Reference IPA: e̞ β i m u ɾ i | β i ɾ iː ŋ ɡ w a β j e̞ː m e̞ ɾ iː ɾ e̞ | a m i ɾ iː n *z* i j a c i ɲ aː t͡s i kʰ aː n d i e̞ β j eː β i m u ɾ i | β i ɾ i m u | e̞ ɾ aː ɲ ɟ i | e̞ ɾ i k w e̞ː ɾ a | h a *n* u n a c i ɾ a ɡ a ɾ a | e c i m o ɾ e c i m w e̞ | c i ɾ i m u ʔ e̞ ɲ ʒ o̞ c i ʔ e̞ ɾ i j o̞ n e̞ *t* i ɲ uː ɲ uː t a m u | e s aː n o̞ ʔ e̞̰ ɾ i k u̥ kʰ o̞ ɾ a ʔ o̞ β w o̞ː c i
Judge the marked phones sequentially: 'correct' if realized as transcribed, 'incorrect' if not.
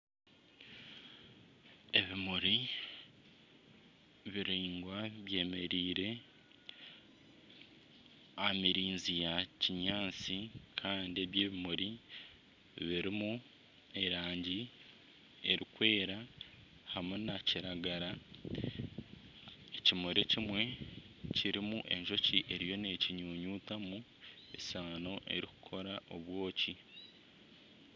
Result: correct, incorrect, incorrect

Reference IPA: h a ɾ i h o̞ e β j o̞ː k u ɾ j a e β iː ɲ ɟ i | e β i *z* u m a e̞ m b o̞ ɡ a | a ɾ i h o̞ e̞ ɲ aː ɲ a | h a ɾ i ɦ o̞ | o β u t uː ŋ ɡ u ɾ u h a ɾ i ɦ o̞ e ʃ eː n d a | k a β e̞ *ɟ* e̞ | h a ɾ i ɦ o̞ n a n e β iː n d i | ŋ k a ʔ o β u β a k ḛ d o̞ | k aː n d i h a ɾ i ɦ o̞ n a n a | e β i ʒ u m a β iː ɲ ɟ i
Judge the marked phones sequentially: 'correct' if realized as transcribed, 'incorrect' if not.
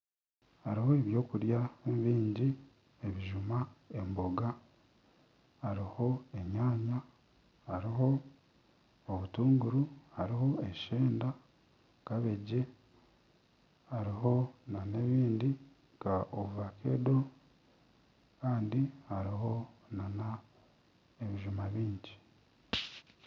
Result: incorrect, correct

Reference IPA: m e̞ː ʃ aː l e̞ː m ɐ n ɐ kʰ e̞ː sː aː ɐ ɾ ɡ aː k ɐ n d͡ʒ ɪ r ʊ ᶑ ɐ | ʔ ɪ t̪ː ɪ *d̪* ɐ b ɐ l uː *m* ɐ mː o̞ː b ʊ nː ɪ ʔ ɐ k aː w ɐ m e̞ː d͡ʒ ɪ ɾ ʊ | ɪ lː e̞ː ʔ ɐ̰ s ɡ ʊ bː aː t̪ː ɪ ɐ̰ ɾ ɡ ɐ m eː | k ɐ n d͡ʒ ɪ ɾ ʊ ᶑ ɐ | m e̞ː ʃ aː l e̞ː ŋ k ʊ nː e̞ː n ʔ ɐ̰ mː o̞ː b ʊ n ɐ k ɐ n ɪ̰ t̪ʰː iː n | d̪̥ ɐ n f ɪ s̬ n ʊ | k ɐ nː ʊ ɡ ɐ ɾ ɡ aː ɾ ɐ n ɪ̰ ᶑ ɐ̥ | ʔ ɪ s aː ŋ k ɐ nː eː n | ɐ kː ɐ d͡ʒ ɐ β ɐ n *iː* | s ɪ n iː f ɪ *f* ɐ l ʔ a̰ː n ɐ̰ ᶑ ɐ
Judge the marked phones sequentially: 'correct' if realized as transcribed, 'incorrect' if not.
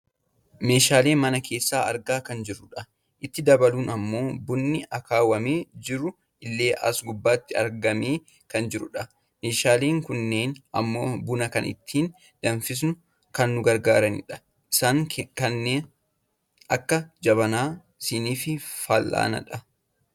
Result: correct, incorrect, incorrect, correct

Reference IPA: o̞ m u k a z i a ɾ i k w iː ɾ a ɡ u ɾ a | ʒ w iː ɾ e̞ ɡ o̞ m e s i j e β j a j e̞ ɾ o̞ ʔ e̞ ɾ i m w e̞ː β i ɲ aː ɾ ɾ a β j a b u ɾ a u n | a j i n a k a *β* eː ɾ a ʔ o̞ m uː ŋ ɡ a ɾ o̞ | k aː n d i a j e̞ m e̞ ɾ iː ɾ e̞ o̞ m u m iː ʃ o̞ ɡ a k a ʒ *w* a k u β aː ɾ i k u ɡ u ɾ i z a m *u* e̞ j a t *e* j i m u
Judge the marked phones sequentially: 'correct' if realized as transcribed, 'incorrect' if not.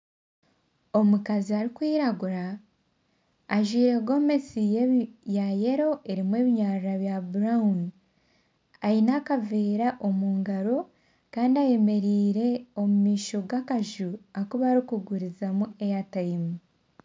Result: incorrect, incorrect, correct, incorrect

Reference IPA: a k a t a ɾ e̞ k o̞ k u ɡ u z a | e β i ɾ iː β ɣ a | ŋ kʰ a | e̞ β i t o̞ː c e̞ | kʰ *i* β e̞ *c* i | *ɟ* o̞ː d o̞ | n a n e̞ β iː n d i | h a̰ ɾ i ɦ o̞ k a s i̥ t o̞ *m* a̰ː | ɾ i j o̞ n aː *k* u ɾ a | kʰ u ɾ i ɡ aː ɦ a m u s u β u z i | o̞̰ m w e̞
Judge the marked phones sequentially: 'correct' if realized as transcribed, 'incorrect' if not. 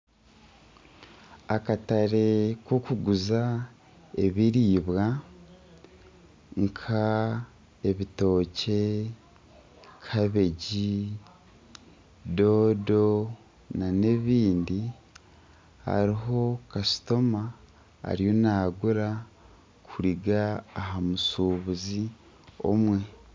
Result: incorrect, incorrect, incorrect, correct, incorrect

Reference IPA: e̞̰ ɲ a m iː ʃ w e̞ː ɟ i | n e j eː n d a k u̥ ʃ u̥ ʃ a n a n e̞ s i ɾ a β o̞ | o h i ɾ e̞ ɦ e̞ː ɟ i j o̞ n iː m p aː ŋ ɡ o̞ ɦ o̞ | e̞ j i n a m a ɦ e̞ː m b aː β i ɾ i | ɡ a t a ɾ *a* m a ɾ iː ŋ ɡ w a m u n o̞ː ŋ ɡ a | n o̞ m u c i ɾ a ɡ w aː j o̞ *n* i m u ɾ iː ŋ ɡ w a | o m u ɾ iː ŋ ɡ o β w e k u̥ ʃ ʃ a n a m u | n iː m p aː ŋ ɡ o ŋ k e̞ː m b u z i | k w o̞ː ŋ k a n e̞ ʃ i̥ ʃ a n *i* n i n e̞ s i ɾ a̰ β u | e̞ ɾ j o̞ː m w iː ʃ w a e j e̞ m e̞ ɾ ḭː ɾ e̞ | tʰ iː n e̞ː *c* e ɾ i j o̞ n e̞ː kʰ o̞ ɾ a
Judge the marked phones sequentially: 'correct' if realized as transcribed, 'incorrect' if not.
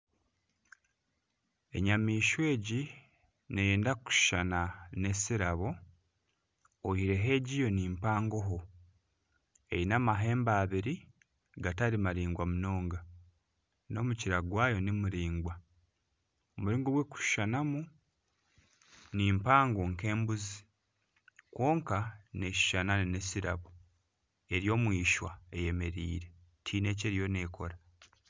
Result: incorrect, correct, incorrect, correct

